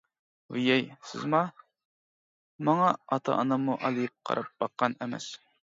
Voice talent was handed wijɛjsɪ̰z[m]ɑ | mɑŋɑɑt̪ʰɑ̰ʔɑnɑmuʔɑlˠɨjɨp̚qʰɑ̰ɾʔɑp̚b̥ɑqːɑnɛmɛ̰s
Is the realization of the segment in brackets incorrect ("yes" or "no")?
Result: no